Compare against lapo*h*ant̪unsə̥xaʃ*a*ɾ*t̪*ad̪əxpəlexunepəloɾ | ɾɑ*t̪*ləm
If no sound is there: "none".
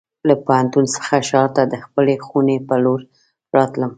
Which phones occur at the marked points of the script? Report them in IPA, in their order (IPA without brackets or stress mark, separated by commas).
h, ɑ, t̪, t̪